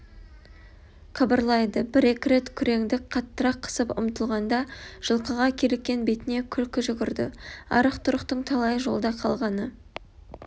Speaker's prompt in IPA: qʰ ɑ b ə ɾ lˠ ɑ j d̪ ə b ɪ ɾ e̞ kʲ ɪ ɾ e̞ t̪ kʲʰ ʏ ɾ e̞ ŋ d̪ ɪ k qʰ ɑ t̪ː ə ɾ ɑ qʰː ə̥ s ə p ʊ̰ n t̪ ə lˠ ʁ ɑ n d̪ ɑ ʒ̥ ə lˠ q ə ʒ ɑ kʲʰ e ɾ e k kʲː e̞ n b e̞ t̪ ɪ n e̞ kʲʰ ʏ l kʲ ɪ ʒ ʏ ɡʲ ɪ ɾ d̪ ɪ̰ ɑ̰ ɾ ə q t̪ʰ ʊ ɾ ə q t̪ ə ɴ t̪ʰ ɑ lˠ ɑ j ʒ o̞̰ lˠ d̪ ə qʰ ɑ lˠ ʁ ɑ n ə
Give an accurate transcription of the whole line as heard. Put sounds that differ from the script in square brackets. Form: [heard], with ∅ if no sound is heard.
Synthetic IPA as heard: qʰ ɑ b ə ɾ lˠ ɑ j d̪ ə b ɪ ɾ e̞ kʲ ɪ ɾ e̞ t̪ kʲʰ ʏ ɾ e̞ ŋ d̪ ɪ k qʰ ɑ t̪ː ə ɾ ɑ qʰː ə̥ s ə p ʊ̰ [m] t̪ ə lˠ ʁ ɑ n d̪ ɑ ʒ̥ ə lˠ q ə [ʁ] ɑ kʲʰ e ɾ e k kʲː e̞ n b e̞ t̪ ɪ n e̞ kʲʰ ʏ l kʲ ɪ ʒ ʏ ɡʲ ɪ ɾ d̪ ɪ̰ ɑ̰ ɾ ə q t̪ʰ ʊ ɾ ə q t̪ ə ɴ t̪ʰ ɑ lˠ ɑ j ʒ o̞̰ lˠ d̪ [ɑ] qʰ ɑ lˠ ʁ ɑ n ə